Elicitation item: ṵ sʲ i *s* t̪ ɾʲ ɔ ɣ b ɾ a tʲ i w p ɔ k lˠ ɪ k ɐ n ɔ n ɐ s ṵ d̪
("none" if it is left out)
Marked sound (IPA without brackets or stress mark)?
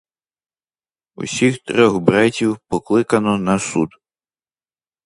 x